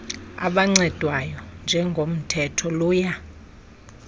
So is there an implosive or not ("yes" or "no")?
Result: yes